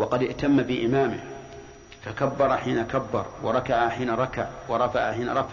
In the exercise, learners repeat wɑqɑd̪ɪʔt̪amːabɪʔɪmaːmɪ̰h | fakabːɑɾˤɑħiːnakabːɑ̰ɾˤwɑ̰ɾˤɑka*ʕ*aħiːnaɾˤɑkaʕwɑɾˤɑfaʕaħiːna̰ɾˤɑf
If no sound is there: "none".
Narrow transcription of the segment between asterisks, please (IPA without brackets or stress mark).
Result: ʕ